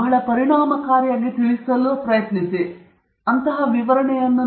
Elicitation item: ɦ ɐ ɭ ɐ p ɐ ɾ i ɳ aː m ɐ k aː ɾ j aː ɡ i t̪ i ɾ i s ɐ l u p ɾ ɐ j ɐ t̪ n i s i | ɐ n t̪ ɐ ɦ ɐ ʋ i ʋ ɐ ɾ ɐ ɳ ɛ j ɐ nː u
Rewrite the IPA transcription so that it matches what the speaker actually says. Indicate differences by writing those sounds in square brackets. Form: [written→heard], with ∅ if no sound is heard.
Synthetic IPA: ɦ ɐ ɭ ɐ p ɐ ɾ i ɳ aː m ɐ k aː ɾ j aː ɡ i t̪ i [ɾ→ɭ] i s ɐ l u p ɾ ɐ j ɐ t̪ n i s i | ɐ n t̪ ɐ ɦ ɐ ʋ i ʋ ɐ ɾ ɐ ɳ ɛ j ɐ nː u